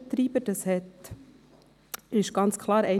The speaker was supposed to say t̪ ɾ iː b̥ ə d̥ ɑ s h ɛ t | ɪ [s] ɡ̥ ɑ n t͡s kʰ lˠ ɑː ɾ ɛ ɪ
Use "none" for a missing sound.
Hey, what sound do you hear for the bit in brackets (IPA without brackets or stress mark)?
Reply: ʃ